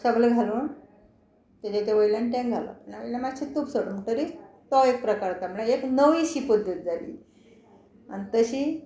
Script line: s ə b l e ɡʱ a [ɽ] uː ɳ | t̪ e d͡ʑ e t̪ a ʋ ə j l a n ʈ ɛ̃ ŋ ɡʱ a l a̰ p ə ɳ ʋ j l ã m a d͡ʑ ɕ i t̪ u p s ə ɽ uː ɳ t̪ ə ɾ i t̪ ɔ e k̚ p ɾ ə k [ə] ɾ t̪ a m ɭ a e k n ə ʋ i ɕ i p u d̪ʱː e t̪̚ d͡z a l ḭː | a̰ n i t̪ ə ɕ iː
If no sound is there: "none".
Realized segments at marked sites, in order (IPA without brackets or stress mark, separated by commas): l, a